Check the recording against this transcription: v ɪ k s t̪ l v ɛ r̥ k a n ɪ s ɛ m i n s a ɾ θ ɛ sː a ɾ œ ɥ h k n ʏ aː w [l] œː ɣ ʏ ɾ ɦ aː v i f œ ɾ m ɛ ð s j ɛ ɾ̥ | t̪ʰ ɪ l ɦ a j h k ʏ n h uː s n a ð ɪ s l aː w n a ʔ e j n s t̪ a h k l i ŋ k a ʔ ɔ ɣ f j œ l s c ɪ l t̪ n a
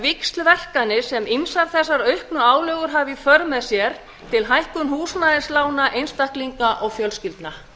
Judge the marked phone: correct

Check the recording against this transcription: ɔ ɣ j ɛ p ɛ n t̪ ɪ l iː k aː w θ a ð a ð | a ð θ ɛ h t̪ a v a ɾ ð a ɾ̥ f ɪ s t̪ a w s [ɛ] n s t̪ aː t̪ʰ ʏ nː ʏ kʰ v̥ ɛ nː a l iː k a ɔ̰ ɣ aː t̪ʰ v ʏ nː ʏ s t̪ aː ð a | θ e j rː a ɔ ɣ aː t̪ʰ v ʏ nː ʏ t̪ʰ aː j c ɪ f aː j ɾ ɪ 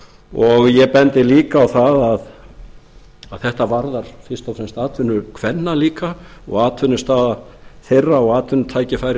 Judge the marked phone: correct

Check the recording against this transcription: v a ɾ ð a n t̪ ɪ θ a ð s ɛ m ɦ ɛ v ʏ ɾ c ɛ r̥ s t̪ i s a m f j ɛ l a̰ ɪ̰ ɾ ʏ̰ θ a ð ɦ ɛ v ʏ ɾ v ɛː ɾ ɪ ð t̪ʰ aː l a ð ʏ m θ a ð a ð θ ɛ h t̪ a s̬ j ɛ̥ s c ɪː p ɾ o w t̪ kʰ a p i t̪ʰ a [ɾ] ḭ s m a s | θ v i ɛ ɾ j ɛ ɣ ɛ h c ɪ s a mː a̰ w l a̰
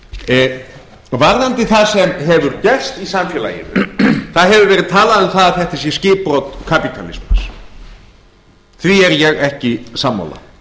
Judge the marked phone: incorrect: l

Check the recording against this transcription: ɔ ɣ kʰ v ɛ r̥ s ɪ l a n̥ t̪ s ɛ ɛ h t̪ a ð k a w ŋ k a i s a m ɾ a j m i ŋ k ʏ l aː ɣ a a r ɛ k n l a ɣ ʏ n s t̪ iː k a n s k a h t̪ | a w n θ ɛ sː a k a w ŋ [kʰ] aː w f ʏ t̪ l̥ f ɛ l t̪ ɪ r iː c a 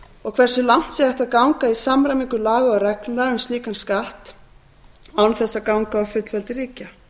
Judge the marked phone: incorrect: k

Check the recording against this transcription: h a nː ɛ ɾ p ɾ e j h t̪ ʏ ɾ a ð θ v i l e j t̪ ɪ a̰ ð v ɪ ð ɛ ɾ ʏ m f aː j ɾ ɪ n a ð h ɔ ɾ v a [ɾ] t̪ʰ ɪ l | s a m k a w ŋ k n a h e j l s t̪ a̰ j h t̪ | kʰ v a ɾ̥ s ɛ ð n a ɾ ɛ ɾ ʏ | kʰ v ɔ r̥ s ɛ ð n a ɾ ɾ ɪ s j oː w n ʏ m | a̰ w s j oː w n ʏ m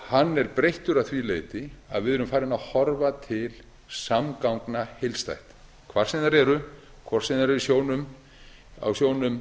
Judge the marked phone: incorrect: none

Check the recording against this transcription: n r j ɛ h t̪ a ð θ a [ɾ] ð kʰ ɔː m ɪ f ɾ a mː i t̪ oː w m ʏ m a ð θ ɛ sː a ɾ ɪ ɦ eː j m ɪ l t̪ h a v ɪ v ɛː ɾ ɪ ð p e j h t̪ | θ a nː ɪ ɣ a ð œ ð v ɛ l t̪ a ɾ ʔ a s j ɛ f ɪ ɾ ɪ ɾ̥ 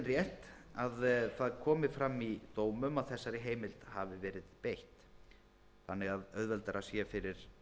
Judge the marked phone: incorrect: none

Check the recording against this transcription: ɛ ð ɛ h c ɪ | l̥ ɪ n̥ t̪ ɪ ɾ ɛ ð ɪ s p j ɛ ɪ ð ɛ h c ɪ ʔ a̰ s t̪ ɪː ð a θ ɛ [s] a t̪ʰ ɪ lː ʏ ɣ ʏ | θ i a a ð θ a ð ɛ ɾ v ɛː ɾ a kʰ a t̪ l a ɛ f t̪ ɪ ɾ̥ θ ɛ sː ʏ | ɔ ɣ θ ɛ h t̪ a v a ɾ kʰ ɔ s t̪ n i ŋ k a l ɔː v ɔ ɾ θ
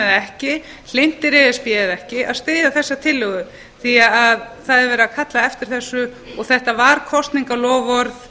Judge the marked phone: incorrect: sː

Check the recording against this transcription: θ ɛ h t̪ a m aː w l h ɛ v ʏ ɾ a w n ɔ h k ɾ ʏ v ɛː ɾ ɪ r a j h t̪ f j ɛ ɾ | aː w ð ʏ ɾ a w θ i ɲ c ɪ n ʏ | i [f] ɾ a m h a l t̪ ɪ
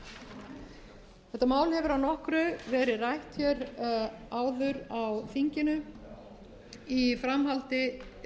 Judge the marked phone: correct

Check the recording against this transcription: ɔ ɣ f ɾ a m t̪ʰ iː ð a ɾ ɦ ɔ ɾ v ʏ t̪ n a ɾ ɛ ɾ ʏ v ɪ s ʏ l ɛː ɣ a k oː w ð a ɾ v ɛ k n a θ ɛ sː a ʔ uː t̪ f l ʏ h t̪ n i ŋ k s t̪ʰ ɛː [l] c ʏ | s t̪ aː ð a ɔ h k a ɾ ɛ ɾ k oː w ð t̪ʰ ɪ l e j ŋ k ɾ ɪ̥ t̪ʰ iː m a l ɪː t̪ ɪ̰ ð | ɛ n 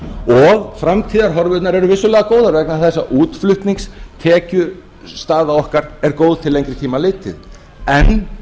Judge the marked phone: incorrect: none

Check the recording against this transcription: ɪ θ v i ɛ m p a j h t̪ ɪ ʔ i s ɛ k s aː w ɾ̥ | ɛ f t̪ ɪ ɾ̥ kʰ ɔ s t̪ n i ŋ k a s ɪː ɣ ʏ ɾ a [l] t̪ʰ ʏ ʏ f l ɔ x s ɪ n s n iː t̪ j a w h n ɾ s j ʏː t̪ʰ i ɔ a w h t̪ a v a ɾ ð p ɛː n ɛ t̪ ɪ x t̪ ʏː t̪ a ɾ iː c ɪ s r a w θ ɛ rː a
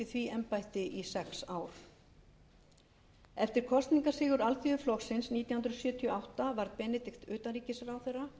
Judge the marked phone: correct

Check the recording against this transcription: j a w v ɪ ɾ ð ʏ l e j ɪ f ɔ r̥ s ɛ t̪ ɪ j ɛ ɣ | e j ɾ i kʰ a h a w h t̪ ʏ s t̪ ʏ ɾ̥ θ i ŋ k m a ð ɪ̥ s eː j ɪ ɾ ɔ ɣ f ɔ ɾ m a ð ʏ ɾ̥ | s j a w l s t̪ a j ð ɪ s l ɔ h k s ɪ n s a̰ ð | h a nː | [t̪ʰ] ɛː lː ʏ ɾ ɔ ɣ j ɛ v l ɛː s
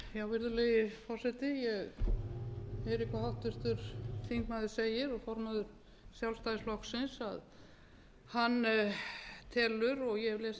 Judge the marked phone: correct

